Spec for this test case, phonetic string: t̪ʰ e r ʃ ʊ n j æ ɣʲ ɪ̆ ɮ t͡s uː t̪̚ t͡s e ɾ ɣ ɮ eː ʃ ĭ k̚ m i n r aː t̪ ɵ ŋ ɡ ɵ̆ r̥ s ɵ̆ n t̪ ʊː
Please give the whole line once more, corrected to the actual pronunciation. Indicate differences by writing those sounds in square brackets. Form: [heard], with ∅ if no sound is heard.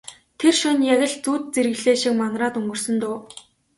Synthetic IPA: t̪ʰ e r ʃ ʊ n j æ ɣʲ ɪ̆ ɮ t͡s uː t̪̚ t͡s e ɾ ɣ ɮ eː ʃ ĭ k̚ m [a] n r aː t̪ ɵ ŋ ɡ ɵ̆ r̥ s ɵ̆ n t̪ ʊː